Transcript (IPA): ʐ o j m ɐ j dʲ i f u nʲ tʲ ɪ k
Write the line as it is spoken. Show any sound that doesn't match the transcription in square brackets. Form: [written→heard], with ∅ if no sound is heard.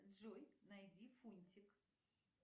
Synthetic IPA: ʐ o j [m→n] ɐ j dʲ i f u nʲ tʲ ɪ k